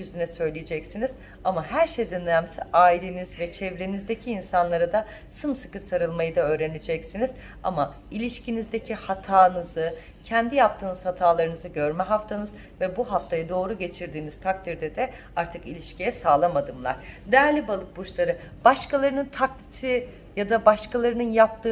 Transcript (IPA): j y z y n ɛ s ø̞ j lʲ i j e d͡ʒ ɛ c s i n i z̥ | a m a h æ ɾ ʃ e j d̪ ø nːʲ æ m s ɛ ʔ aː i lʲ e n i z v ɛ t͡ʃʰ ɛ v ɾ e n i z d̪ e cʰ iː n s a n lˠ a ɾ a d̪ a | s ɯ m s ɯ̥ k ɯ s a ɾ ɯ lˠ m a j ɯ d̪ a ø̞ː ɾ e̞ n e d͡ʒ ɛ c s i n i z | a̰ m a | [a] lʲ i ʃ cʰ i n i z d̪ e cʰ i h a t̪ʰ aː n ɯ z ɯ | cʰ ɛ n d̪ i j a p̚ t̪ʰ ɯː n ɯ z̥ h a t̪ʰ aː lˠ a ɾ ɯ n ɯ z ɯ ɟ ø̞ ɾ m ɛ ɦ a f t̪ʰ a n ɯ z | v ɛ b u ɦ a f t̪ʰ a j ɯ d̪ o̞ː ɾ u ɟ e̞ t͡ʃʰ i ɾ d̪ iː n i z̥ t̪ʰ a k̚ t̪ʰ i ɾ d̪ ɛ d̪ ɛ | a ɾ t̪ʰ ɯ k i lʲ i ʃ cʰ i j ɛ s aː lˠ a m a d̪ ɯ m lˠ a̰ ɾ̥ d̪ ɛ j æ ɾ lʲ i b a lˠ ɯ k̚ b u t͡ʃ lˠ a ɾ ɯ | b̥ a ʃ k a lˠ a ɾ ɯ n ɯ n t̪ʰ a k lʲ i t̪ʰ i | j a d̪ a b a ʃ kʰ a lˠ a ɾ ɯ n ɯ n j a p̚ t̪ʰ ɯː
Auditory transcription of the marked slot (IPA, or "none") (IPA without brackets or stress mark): i